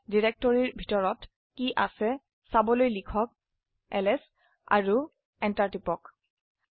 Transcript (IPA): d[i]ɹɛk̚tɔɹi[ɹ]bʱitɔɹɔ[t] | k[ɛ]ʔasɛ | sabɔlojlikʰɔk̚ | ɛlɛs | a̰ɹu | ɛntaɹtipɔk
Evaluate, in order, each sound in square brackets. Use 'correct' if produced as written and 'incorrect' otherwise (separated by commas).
correct, correct, correct, incorrect